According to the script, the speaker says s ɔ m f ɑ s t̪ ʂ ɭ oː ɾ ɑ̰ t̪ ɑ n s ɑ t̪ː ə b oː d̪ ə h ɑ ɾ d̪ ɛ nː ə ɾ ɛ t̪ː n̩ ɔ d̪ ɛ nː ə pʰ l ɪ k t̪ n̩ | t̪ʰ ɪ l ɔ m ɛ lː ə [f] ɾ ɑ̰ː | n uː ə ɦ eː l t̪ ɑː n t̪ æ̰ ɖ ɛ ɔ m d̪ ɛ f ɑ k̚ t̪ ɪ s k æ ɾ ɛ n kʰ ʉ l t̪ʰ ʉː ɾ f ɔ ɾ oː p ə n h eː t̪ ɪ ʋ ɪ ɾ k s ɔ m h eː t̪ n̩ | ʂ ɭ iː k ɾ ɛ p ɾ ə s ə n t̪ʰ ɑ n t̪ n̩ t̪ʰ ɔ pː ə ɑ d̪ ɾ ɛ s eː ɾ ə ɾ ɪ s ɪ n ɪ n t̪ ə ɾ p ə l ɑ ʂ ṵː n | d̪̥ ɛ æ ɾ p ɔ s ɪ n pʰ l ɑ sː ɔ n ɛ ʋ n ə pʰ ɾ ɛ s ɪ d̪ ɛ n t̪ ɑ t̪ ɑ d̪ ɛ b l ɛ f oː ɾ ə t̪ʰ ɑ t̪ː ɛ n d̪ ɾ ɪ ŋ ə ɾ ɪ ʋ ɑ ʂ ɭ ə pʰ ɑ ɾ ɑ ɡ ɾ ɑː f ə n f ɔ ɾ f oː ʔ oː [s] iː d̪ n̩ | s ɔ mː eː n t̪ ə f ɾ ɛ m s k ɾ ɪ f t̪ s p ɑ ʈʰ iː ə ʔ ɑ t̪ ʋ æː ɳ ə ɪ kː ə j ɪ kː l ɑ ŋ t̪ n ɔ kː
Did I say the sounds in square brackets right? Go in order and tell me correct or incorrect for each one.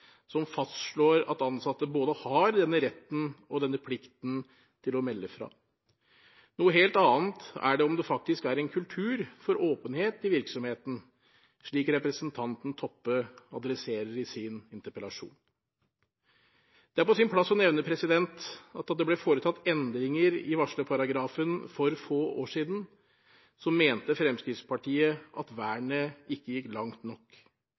correct, incorrect: ʂ

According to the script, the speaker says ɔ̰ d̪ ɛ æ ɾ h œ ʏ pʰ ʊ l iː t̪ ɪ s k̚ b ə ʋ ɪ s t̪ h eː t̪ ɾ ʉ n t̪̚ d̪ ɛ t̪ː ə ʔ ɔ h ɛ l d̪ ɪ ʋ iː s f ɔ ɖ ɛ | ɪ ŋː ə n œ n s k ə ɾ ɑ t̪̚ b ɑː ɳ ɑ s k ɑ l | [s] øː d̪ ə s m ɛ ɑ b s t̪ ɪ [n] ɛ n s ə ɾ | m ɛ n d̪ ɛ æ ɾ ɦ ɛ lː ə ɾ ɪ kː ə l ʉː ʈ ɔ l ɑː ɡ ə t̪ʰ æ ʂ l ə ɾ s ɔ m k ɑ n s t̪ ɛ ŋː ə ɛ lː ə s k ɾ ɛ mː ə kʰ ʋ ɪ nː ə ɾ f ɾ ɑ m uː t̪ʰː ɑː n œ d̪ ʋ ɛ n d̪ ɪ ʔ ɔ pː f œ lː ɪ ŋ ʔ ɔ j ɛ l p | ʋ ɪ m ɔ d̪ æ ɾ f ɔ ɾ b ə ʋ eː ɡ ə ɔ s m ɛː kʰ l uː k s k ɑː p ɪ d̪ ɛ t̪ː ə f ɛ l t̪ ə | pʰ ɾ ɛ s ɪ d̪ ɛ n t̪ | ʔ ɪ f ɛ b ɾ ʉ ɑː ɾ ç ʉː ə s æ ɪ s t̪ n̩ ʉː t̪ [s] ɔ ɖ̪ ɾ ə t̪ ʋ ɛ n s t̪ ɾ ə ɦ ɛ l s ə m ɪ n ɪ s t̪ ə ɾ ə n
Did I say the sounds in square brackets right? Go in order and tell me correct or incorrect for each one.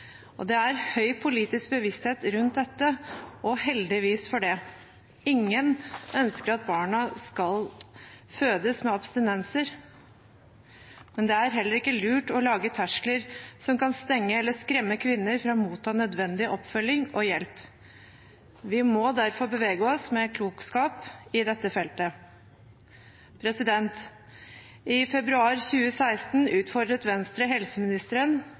incorrect: f, correct, incorrect: f

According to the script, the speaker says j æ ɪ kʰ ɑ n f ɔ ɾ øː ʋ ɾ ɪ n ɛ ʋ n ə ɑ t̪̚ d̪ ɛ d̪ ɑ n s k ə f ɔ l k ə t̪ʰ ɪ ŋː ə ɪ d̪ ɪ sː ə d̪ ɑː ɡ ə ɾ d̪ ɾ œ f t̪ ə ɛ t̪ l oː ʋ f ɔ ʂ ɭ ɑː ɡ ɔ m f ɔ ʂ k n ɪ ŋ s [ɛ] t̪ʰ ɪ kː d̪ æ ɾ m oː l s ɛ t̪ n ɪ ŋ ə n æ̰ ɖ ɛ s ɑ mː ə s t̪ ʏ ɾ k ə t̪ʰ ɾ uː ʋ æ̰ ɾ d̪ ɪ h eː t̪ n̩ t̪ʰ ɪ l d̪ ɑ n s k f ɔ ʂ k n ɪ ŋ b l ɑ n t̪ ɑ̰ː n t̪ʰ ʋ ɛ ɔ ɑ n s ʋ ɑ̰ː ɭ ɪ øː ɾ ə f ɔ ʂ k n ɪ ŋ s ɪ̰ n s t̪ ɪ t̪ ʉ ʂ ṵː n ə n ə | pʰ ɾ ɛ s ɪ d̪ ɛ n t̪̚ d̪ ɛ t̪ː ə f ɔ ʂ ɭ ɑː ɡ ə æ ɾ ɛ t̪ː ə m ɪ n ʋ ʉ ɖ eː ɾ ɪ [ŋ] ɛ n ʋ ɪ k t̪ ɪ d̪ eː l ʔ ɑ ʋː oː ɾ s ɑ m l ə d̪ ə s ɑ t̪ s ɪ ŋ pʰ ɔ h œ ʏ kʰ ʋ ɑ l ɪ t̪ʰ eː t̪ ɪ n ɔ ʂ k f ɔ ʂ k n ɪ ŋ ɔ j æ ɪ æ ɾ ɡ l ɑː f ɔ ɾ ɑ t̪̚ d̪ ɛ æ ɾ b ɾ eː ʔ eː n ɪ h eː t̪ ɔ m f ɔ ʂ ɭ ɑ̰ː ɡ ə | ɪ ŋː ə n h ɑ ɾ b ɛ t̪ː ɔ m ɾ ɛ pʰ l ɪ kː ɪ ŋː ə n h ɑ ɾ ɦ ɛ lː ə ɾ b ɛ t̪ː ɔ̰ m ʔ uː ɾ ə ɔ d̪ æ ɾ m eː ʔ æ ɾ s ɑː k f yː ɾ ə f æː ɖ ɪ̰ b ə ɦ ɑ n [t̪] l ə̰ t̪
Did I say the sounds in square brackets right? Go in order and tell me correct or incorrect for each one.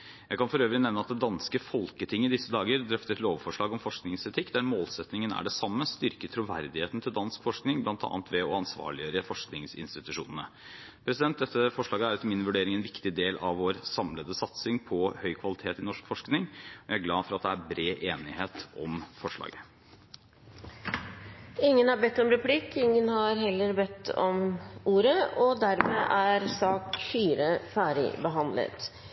correct, correct, incorrect: d̪

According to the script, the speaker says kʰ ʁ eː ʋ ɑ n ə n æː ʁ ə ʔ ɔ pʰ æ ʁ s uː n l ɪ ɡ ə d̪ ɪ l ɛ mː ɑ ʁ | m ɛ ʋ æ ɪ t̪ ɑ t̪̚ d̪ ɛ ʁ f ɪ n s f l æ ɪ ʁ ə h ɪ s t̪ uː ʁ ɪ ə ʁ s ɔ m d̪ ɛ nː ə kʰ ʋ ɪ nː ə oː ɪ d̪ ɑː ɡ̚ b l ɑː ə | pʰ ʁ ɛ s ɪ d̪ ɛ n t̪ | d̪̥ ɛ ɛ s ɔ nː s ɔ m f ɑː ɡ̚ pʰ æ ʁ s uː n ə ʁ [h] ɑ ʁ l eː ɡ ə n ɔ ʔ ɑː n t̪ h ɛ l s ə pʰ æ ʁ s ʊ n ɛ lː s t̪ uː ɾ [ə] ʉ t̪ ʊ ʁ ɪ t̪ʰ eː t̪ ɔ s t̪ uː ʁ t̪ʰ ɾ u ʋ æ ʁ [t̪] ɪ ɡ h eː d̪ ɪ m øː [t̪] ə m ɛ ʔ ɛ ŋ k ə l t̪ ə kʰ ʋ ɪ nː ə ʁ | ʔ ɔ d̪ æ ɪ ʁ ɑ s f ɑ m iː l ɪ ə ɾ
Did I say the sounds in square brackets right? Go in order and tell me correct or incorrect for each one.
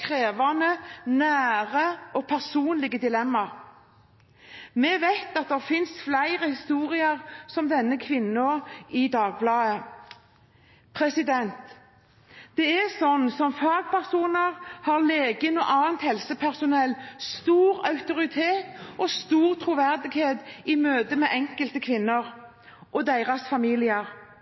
correct, incorrect: ɑ, incorrect: d̪, incorrect: d̪

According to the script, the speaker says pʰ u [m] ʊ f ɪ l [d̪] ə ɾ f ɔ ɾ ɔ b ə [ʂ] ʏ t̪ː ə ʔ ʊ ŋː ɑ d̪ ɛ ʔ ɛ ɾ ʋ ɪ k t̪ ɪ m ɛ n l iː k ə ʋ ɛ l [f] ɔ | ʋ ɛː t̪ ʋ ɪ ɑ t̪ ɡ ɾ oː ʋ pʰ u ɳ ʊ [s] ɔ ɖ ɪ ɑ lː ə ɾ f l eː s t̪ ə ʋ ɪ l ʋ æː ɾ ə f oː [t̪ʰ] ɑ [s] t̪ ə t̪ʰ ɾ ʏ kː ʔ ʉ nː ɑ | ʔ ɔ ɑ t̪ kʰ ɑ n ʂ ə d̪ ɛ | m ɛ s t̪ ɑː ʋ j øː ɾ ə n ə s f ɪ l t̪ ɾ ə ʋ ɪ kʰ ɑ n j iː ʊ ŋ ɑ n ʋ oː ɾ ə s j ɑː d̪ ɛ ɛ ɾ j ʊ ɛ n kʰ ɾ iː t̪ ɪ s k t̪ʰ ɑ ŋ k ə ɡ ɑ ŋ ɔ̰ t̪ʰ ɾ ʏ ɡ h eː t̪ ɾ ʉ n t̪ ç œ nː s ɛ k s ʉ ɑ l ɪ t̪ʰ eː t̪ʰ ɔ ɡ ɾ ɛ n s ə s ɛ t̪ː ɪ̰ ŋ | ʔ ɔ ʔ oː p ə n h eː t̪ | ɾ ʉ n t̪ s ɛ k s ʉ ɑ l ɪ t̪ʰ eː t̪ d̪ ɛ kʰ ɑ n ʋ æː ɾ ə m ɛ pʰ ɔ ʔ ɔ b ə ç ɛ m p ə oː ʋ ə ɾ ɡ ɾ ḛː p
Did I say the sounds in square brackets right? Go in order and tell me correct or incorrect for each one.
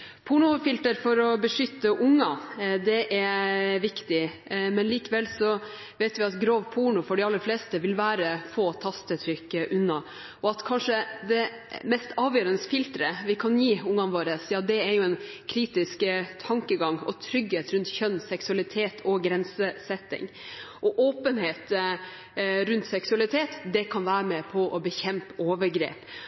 incorrect: ɳ, incorrect: t̪, correct, incorrect: s, incorrect: f, correct, correct

